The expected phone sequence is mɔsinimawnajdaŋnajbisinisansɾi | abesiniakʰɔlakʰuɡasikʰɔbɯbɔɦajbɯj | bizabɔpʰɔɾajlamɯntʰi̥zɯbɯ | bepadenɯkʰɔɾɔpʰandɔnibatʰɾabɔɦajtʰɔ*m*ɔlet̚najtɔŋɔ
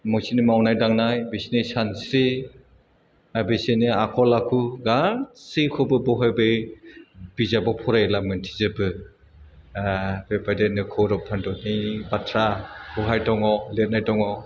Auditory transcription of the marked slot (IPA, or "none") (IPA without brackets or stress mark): ŋ